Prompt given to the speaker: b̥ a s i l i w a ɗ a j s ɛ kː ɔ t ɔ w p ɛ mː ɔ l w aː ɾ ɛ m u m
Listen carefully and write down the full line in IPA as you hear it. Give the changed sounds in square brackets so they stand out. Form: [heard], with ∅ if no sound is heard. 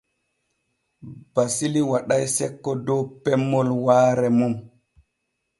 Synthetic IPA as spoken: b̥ a s i l i w a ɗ a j s ɛ kː ɔ [d] ɔ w p ɛ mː ɔ l w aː ɾ ɛ m u m